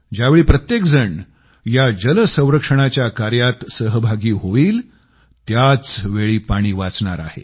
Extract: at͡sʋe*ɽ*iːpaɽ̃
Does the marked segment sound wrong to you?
yes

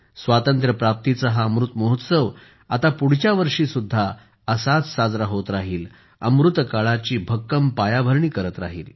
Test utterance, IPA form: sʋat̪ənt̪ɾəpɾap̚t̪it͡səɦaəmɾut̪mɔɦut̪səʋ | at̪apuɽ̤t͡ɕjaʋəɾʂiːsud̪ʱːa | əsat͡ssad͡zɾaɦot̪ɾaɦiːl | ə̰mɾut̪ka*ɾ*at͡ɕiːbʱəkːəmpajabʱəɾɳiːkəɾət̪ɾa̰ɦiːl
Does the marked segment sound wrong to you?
yes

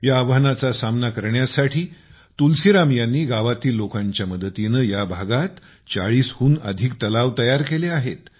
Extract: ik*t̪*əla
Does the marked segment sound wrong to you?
no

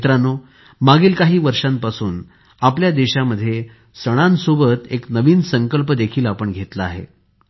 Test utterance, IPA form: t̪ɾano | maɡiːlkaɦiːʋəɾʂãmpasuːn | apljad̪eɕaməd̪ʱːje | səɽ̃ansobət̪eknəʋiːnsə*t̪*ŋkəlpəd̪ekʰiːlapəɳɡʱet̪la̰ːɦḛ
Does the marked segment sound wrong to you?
yes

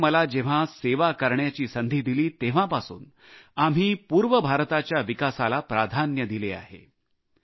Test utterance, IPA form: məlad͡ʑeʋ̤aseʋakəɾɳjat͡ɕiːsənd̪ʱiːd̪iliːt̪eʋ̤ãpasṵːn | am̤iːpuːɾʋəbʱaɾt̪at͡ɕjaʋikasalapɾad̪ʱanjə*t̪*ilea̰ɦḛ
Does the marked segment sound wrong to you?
yes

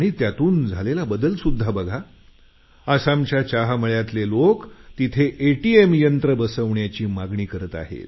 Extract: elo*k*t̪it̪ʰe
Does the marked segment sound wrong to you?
no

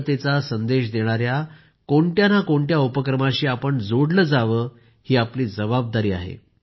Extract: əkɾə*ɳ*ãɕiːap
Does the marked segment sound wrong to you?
yes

